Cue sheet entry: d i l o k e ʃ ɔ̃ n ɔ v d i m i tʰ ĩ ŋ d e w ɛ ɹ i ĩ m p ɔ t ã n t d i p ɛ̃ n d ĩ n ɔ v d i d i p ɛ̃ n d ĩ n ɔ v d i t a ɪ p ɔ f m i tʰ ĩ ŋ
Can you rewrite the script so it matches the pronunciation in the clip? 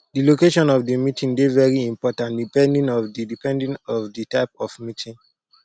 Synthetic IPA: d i l o k e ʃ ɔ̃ n ɔ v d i m i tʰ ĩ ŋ d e v ɛ ɹ i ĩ m p ɔ t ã n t d i p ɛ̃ n d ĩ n ɔ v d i d i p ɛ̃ n d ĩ n ɔ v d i t a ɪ p ɔ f m i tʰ ĩ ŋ